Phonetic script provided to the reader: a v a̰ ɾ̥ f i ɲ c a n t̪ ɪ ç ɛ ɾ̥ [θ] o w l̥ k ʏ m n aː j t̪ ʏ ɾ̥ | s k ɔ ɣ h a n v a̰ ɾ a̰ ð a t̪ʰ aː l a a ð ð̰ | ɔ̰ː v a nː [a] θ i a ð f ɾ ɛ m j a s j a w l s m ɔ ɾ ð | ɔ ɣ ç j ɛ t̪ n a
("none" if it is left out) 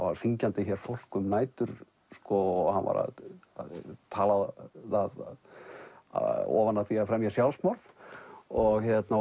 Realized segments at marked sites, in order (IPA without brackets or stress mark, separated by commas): f, a